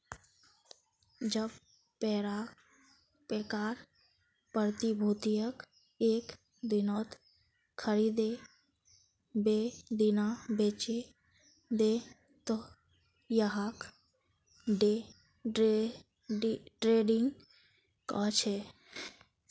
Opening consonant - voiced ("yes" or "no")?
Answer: yes